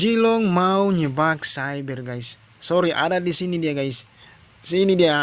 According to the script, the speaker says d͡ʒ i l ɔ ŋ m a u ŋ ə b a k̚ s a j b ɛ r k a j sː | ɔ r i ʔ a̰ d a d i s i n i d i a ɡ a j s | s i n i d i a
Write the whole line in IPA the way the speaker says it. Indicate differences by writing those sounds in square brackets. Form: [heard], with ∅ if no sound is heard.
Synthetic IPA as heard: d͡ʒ i l ɔ ŋ m a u [ɲ] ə b a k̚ s a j b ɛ r [ɡ] a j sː | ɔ [ɾ] i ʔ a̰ d a d i s i n i d i a ɡ a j s | s i n i d i a